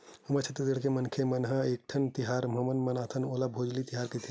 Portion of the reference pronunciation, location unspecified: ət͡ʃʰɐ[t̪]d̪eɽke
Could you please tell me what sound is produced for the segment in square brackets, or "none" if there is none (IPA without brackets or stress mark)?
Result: t̪